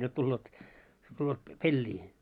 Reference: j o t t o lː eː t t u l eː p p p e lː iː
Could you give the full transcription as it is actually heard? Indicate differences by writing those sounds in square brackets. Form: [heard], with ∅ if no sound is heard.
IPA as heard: j o t t [u] lː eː t t u [lː] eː [t] p p e lː iː

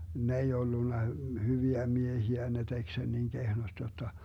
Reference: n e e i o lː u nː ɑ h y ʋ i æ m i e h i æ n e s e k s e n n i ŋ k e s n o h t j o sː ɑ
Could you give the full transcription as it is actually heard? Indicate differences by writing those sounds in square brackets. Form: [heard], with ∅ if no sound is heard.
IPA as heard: n e e i o lː u nː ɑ h y ʋ i æ m i e h i æ n e [t] e k s e n n i ŋ k e [h] n o [s] t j o [tː] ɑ

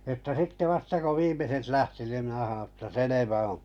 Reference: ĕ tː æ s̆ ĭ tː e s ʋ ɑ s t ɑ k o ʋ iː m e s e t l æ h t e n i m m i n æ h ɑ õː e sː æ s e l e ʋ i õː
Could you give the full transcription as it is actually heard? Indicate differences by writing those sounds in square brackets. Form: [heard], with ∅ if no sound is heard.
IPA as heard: ĕ tː æ s̆ ĭ tː e [∅] ʋ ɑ s t ɑ k o ʋ iː m e s e t l æ h t [i] n i m m i n æ h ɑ õː e [tː] æ s e l e ʋ [æ] õː

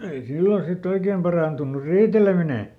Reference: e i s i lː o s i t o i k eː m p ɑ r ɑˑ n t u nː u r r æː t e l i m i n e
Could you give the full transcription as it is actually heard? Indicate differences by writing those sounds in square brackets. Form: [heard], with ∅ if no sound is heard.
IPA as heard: e i s i lː o s i t o i k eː m p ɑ r ɑˑ n t u nː u r r [iː] t e l [e] m i n e

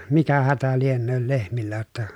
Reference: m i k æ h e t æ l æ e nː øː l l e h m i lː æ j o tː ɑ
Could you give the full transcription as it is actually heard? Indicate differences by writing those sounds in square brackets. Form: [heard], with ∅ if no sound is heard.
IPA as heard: m i k æ h [æ] t æ l [i] e nː øː l l e h m i lː æ j o tː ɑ

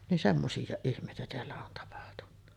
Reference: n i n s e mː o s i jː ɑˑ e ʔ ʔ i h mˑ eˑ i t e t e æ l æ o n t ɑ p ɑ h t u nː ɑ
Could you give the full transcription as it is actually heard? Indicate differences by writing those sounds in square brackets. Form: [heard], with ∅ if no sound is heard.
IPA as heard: n i n s e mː o s i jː ɑˑ e ʔ ʔ i h mˑ eˑ i t [æ] t e æ [lː] æ o n t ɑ p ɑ h t u nː ɑ

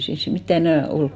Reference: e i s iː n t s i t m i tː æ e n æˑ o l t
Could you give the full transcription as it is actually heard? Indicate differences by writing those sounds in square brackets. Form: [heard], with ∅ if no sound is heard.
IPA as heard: e i s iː n [s] s i t m i tː æ e n æˑ o l [k]

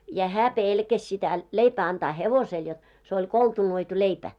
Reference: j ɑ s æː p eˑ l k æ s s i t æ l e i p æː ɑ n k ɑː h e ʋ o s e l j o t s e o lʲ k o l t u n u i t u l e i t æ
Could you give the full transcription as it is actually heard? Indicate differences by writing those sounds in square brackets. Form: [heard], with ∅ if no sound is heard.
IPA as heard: j ɑ [h] æː p eˑ l k æ s s i t æ l e i p æː ɑ n [t] ɑː h e ʋ o s e l j o t s e o lʲ k o l t u n [o] i t u l e i [p] æ

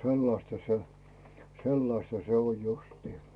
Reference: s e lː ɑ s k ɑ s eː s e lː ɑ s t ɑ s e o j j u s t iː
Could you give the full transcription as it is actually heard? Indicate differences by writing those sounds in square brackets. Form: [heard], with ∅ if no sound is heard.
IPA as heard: s e lː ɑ s [t] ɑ s [e] s e lː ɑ s t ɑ s e o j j u s t iː

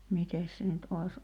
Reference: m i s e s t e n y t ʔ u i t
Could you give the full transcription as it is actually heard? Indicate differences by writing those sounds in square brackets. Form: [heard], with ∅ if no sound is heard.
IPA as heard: m i [t] e s [s] e n y t ʔ [o] i [s]

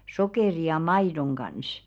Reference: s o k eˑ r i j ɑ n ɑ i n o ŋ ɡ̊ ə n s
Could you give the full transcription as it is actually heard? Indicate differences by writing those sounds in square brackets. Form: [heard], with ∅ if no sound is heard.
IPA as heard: s o k eˑ r i j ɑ [m] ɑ i [d] o ŋ ɡ̊ [ɑ] n s

